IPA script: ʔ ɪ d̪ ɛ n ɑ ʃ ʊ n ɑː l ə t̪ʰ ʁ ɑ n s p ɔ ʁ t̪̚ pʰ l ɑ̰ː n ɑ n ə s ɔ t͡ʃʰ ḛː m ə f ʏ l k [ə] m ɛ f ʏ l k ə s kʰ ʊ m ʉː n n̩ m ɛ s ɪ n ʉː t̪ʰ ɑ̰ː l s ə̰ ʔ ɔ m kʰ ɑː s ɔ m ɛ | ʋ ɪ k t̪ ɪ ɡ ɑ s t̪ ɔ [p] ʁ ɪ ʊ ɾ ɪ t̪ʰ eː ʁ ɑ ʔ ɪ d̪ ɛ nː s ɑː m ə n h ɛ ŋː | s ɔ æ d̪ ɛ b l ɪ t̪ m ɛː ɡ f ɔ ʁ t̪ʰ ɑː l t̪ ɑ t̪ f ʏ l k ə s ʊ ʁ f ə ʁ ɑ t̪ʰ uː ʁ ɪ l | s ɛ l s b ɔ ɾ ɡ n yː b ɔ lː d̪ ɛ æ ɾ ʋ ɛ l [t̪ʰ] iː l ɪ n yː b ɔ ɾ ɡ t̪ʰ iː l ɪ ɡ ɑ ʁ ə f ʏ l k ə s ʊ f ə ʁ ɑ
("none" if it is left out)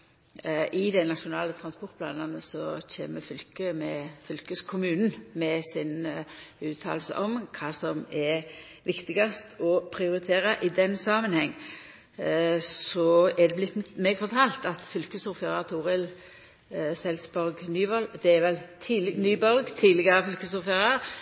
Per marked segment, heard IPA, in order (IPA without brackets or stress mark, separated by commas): ə, pʰ, t̪ʰ